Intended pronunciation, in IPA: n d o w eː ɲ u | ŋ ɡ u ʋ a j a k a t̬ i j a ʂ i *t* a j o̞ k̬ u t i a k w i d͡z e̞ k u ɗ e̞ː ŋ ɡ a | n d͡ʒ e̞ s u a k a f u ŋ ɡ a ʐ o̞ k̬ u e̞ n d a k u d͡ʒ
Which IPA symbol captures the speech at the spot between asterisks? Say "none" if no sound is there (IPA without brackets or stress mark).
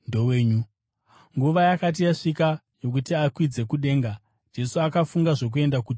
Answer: k